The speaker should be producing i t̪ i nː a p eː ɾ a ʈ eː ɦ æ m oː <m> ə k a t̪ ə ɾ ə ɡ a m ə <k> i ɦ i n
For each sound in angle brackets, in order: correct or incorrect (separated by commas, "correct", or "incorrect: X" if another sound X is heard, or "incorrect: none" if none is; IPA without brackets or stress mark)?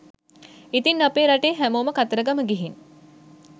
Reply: correct, incorrect: ɡ